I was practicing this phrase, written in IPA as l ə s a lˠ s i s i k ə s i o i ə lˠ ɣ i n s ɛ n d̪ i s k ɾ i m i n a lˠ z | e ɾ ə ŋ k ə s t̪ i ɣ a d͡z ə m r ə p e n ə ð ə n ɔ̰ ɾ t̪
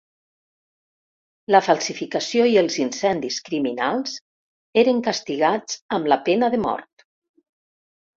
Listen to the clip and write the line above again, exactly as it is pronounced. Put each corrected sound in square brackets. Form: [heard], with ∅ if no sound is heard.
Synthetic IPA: l ə [f] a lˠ s i [f] i k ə s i o i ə lˠ [z] i n s ɛ n d̪ i s k ɾ i m i n a lˠ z | e ɾ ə ŋ k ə s t̪ i ɣ a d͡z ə m [l] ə p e n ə ð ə [m] ɔ̰ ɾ t̪